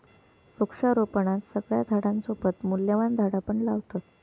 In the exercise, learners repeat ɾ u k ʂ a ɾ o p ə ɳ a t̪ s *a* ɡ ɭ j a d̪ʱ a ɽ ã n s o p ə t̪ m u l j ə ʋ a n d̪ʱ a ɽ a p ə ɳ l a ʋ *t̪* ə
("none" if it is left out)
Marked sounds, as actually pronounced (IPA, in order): ə, t̪

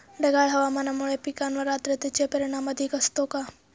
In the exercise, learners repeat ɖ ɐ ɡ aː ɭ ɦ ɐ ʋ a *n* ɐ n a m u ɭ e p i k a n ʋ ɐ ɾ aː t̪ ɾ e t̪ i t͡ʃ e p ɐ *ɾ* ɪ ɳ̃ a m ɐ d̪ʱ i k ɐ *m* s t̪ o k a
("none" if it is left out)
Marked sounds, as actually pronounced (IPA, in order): m, ɾ, none

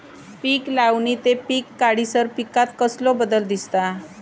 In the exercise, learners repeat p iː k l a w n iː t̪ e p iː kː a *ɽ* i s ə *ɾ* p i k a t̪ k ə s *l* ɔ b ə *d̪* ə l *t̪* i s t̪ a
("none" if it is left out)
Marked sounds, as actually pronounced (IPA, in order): ɽ, ɾ, l, d̪, d̪

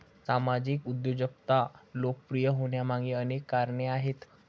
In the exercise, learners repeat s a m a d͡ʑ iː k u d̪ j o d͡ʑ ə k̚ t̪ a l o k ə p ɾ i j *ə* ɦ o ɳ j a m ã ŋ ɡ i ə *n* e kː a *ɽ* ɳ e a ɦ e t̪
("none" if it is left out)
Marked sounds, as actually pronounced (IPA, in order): ə, n, ɾ

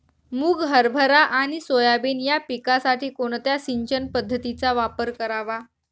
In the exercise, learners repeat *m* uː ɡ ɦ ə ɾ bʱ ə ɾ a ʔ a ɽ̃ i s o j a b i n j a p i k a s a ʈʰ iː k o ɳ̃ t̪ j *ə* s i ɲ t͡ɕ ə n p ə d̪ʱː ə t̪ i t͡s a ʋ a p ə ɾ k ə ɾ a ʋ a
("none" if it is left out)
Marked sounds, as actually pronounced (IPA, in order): m, a

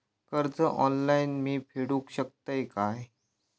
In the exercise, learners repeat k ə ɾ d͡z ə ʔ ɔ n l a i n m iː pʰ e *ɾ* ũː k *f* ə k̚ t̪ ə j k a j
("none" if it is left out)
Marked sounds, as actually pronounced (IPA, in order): ɽ, ɕ

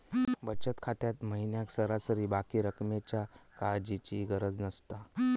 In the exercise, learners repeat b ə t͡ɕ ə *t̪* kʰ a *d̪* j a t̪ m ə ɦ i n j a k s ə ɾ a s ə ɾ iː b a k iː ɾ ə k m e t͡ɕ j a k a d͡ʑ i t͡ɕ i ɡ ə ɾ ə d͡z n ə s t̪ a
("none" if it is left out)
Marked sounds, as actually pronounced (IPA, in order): t̪, t̪

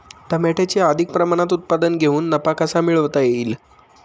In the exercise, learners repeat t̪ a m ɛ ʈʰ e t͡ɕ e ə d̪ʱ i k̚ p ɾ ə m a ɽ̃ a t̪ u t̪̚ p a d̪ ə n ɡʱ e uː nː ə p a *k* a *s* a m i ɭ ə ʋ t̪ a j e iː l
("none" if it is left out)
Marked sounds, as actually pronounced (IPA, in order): k, s

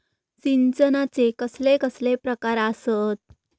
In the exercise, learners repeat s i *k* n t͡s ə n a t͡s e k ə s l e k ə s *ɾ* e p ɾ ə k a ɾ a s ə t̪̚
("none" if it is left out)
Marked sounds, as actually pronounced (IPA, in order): none, l

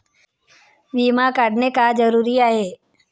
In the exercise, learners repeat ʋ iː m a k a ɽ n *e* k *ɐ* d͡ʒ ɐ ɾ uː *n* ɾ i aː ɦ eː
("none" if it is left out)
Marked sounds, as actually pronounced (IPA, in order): e, a, none

